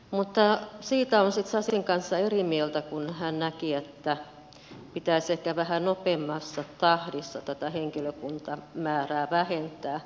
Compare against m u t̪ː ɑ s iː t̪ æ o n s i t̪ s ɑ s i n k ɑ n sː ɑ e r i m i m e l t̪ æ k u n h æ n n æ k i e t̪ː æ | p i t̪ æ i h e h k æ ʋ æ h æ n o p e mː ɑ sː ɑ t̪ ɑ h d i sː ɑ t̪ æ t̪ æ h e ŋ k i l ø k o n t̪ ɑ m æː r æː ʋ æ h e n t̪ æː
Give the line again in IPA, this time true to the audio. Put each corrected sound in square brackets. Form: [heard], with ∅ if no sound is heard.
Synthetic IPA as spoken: m u t̪ː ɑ s iː t̪ æ o n s i t̪ s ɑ s i [ŋ] k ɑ n sː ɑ e r i m i [∅] e l t̪ æ k u n h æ n n æ k i e t̪ː æ | p i t̪ æ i [s] e h k æ ʋ æ h æ n o p e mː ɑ sː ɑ t̪ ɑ h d i sː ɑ t̪ æ t̪ æ h e ŋ k i l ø k [u] n t̪ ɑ m æː r æː ʋ æ h e n t̪ æː